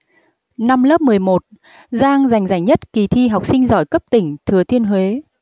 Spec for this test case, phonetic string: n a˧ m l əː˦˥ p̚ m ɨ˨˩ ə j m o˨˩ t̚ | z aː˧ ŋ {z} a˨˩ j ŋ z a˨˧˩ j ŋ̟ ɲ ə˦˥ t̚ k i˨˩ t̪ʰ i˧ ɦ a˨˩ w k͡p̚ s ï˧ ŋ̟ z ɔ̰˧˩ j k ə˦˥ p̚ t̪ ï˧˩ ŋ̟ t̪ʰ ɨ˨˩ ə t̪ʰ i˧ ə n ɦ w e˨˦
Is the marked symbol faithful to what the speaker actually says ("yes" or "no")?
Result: yes